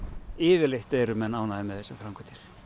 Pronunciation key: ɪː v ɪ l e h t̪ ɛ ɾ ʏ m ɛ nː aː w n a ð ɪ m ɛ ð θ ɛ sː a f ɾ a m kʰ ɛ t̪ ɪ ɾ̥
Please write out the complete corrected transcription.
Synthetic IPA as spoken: ɪː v ɪ l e h t̪ ɛ ɾ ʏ m ɛ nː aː w n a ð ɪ m ɛ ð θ ɛ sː a f ɾ a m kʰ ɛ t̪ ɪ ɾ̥

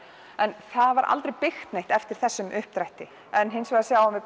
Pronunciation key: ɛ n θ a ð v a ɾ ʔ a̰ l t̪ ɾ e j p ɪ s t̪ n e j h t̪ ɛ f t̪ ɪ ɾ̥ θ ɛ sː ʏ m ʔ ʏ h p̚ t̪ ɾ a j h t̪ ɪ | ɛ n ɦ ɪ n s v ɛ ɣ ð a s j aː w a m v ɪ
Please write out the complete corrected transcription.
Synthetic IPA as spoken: ɛ n θ a ð v a ɾ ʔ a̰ l t̪ ɾ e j p ɪ x t̪ n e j h t̪ ɛ f t̪ ɪ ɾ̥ θ ɛ sː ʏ m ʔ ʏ h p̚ t̪ ɾ a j h t̪ ɪ | ɛ n ɦ ɪ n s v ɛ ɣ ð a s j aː w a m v ɪ

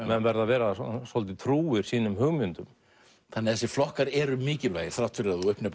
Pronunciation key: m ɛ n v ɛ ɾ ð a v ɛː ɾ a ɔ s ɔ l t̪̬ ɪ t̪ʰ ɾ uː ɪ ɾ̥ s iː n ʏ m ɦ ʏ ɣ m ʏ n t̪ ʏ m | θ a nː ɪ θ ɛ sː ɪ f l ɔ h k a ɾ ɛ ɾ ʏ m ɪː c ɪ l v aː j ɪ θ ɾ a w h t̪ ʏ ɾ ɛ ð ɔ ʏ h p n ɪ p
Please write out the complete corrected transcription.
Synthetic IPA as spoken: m ɛ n v ɛ ɾ ð a v ɛː ɾ a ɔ s ɔ l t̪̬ ɪ t̪ʰ ɾ uː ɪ ɾ̥ s iː n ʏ m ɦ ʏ ɣ m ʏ n t̪ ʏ m | θ a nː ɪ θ ɛ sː ɪ f l ɔ h k a ɾ ɛ ɾ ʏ m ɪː c ɪ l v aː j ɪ θ ɾ a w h t̪ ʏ ɾ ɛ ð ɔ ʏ h p n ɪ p

